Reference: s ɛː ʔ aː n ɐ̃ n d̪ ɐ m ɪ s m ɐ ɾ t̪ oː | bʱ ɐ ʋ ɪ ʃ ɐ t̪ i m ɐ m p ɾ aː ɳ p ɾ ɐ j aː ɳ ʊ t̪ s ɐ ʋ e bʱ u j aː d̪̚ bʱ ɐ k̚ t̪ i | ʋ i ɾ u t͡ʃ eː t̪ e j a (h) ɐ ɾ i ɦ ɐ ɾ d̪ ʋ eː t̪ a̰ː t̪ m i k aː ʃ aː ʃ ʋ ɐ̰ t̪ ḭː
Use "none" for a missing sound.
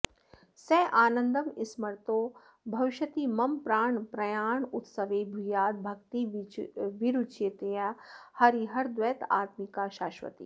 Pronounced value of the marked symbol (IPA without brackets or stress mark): h